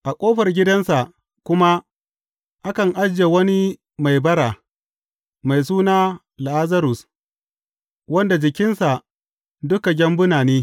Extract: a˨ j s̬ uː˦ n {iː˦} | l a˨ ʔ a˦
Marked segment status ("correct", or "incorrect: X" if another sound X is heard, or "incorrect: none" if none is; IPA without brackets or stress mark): incorrect: aː˦